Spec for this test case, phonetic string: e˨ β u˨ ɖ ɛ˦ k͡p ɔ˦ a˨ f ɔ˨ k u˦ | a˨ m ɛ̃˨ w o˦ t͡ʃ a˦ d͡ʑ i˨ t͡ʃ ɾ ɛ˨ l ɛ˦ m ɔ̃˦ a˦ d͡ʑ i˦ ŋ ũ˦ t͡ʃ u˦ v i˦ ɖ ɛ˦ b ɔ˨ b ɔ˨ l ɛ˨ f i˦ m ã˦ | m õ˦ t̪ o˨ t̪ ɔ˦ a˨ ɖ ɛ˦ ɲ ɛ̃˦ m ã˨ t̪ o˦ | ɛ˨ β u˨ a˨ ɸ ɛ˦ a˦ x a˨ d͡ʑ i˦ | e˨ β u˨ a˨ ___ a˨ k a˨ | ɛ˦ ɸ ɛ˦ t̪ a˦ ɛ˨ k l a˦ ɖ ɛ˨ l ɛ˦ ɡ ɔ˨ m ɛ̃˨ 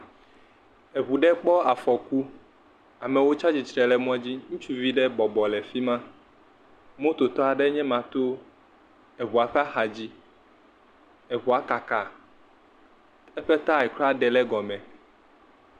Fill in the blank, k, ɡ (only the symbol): k